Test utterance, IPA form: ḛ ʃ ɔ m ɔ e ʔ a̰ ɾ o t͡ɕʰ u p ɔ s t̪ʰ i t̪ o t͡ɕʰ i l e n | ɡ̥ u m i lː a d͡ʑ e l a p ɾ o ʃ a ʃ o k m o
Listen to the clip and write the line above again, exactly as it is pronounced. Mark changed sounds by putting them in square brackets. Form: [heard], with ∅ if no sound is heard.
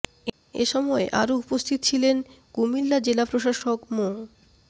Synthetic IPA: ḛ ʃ ɔ m ɔ e ʔ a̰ ɾ o [∅] u p [o] s t̪ʰ i t̪ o t͡ɕʰ i l e n | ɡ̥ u m i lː a d͡ʑ e l a p ɾ o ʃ a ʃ o k m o